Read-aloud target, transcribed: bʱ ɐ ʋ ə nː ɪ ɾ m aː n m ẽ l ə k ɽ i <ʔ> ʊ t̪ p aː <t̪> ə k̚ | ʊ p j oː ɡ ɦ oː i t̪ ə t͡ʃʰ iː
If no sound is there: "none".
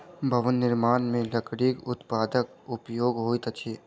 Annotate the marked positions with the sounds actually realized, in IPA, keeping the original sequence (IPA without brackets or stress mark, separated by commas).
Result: k, d̪